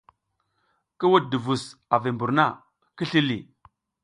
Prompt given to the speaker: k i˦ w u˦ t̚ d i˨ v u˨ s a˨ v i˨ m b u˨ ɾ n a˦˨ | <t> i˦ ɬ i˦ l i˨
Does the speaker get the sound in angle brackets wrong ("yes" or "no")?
yes